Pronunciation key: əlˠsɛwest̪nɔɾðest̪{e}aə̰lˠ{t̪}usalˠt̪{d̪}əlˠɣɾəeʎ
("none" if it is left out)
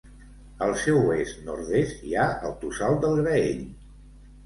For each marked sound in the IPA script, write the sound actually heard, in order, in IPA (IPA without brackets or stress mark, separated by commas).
i, t̪, d̪